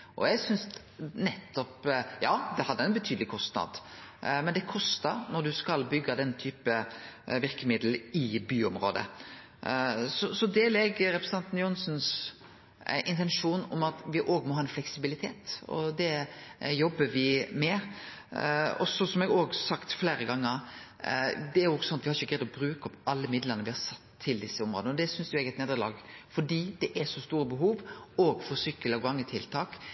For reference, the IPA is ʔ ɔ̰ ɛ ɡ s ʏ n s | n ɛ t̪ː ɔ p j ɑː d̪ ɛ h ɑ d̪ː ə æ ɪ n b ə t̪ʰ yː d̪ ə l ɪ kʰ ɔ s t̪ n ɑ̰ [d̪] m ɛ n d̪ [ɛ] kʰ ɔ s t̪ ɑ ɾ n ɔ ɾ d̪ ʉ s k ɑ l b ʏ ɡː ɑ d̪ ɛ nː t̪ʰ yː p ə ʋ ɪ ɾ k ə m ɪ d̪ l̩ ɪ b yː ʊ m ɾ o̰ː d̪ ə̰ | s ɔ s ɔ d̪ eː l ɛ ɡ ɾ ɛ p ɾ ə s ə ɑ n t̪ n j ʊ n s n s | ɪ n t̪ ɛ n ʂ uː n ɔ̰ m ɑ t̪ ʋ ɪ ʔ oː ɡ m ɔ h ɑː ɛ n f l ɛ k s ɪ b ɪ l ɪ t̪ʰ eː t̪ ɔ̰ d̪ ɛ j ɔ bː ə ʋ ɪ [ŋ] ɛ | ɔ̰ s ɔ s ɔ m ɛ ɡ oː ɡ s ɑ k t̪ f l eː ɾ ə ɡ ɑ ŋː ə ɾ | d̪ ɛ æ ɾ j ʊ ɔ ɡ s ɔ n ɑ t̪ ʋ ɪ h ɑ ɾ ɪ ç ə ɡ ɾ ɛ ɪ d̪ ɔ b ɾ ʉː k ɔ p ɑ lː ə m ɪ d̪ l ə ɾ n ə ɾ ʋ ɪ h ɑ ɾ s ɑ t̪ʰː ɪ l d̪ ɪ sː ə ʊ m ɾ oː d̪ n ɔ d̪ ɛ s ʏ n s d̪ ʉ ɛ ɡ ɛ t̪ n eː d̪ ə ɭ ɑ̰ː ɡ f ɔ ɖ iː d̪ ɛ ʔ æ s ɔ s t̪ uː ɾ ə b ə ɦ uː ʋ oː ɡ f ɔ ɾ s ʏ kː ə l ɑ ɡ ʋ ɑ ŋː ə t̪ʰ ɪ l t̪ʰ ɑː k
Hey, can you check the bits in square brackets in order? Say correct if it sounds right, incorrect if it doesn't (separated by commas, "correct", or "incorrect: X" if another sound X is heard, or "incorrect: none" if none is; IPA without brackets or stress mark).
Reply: correct, correct, incorrect: m